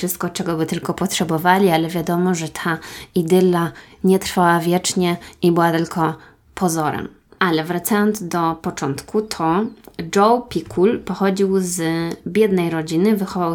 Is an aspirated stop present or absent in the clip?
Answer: present